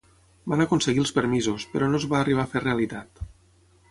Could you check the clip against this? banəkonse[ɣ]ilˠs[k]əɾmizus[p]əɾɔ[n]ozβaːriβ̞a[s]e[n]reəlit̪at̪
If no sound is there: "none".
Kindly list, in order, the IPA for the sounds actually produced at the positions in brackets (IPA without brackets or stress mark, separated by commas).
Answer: ɣ, p, p, n, f, none